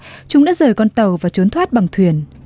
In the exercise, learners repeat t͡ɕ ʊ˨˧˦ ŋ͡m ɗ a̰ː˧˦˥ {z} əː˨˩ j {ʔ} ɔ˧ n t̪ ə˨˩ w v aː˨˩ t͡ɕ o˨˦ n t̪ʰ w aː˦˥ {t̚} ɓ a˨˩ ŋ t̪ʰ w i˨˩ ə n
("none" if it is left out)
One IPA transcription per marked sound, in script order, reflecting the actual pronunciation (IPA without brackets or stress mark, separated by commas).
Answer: z, k, t̚